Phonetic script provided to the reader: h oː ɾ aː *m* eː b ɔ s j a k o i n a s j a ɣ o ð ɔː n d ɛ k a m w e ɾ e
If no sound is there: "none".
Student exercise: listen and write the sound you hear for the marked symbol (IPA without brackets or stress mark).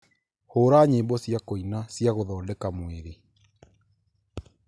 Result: ɲ